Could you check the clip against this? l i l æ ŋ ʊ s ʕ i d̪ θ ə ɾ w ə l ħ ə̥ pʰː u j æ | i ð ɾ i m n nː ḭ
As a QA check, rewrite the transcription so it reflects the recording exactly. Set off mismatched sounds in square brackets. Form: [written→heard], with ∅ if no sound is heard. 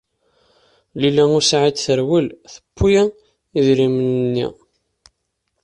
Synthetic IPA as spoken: l i l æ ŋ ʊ s ʕ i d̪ θ ə ɾ w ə l [ħ→θ] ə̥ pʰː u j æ | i ð ɾ i m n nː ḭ